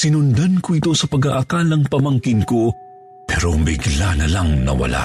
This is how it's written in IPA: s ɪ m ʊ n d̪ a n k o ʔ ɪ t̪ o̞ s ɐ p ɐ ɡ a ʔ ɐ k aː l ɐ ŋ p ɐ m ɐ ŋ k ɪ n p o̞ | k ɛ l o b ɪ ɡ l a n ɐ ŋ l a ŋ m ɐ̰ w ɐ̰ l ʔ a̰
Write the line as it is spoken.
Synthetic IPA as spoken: s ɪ n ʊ n d̪ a n k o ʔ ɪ t̪ o̞ s ɐ p ɐ ɡ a ʔ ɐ k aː l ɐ ŋ p ɐ m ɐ ŋ k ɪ n k o̞ | p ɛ ɾ o b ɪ ɡ l a n ɐ l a ŋ n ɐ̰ w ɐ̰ l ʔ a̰